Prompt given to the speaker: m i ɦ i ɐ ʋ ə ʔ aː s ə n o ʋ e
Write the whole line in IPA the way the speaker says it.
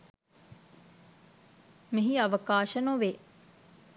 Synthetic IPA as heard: m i ɦ i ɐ ʋ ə k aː ʃ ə n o ʋ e

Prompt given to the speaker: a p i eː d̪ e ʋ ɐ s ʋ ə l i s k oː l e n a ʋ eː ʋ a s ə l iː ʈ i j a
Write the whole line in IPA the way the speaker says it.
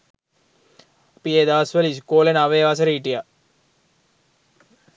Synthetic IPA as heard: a p i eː d̪ a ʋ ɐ s ʋ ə l i s k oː l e n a ʋ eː ʋ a s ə ɾ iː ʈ i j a

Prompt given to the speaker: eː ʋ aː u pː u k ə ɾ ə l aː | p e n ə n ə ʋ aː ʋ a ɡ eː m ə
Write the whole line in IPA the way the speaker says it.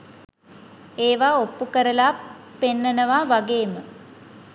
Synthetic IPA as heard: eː ʋ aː o pː u k ə ɾ ə l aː | p e nː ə n ə ʋ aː ʋ a ɡ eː m ə

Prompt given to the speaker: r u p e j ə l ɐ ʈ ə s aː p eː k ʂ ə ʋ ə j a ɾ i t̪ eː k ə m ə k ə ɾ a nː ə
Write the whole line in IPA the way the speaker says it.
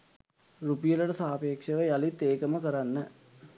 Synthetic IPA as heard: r u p i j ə l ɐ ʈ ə s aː p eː k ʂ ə ʋ ə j a l i t̪ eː k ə m ə k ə ɾ a nː ə

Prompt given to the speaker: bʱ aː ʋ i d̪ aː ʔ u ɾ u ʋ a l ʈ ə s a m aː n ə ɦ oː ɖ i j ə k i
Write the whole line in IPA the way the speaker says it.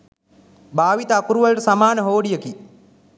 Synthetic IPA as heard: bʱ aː ʋ i t̪ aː k u ɾ u ʋ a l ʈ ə s a m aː n ə ɦ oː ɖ i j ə k i

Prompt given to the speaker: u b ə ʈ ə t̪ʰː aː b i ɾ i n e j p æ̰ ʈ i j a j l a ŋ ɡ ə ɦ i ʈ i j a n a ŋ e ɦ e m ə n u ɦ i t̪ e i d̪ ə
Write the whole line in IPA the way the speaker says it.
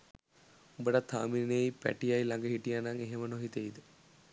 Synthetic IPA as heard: u b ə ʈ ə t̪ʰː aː m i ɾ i n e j p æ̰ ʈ i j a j l a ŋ ɡ ə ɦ i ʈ i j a n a ŋ e ɦ e m ə n o ɦ i t̪ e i d̪ ə

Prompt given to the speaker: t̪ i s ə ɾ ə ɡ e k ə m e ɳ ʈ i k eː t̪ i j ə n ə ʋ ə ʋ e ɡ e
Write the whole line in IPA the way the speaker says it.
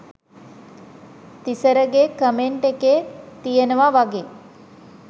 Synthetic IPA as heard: t̪ i s ə ɾ ə ɡ e k ə m e ɳ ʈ e k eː t̪ i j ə n ə ʋ a ʋ a ɡ e

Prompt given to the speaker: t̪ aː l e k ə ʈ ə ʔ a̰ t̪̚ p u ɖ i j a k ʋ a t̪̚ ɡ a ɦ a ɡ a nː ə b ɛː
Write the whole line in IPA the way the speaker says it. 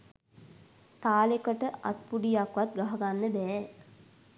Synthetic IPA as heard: t̪ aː l e k ə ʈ ə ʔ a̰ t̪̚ p u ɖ i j a k ʋ a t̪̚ ɡ a ɦ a ɡ a nː ə b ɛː

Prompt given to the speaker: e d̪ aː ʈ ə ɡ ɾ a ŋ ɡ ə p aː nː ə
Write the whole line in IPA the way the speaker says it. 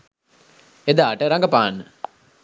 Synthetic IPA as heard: e d̪ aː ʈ ə ɾ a ŋ ɡ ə p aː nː ə

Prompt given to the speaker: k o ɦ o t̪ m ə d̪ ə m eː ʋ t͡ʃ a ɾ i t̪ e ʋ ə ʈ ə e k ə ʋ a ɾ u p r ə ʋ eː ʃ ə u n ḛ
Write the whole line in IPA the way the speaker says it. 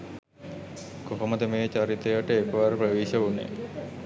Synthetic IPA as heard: k o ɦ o m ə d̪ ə m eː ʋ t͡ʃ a ɾ i t̪ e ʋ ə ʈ ə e k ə ʋ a ɾ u p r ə ʋ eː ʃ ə u n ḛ

